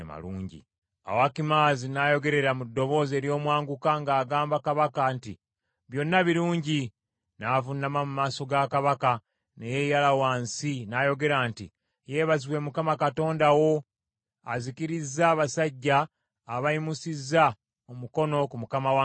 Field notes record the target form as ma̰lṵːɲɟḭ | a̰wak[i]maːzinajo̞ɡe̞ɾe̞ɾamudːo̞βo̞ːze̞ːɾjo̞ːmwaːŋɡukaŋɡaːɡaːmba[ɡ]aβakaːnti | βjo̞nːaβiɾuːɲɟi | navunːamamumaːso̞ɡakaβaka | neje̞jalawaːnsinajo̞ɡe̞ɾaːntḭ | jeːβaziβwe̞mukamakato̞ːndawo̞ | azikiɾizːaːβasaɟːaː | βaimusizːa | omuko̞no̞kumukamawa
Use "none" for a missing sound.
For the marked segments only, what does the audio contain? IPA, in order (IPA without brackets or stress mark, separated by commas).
i, k